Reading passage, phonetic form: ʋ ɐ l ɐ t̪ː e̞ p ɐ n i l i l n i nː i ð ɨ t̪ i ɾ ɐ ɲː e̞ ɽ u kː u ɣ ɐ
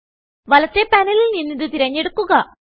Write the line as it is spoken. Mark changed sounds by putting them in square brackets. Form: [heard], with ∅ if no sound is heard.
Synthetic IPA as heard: ʋ ɐ l ɐ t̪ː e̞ p ɐ n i l i l n i nː i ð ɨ t̪ i ɾ ɐ ɲː e̞ ɽ u kː u ɣ ɐ